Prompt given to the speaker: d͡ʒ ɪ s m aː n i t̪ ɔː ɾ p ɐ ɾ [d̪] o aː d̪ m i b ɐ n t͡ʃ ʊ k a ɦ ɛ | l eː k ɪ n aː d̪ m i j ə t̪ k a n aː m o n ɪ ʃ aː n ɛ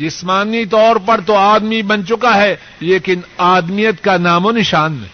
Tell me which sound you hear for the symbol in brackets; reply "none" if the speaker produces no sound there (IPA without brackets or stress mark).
t̪